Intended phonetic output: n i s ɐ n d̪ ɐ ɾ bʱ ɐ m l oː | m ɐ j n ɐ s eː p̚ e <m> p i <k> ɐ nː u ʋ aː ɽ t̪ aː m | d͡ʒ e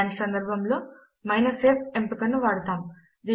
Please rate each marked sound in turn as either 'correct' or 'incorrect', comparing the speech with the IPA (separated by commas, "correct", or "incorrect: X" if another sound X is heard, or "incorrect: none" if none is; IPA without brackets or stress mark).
correct, correct